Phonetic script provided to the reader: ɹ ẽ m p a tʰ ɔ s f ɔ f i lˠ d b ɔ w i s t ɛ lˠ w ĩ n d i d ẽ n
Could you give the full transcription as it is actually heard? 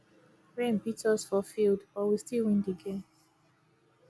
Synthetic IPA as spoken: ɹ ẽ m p i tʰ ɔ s f ɔ f i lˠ d b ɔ w i s t i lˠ w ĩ n d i ɡ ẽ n

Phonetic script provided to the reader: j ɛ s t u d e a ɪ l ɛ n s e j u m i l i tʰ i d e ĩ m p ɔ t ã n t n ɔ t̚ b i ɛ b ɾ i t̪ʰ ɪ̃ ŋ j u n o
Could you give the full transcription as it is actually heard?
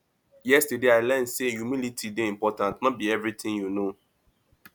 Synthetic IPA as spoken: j ɛ s t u d e a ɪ l ɛ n s e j u m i l i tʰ i d e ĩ m p ɔ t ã n t n ɔ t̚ b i ɛ v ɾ i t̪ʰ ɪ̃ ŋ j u n o

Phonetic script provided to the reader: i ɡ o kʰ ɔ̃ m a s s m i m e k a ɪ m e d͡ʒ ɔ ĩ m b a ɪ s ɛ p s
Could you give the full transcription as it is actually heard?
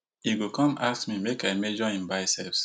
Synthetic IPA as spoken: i ɡ o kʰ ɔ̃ m a s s m i m e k a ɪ m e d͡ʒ ɔ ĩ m b a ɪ s ɛ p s

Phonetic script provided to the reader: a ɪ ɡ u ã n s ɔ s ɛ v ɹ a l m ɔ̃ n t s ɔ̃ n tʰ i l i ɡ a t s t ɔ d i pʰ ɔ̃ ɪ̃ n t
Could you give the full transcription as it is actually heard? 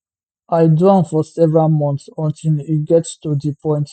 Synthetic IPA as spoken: a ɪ d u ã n f ɔ s ɛ v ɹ a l m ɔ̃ n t s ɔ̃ n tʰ i l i ɡ ɛ t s t u d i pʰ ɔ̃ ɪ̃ n t

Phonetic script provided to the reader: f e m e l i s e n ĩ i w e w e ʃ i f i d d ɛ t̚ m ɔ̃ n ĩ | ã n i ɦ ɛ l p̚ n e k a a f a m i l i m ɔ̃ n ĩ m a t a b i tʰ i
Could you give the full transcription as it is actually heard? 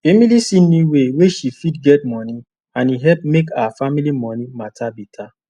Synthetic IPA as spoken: f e m i l i s i n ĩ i w e w e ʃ i f i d ɡ ɛ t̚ m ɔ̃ n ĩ | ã n i ɦ ɛ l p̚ m e k a a f a m i l i m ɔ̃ n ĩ m a t a b i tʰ a

